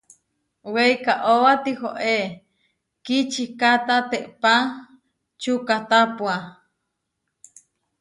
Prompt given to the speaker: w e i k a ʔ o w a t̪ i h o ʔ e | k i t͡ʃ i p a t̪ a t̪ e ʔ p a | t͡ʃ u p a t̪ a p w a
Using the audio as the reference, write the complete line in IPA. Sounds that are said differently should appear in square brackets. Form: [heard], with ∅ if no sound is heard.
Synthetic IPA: w e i k a ʔ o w a t̪ i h o ʔ e | k i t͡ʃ i [k] a t̪ a t̪ e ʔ p a | t͡ʃ u [k] a t̪ a p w a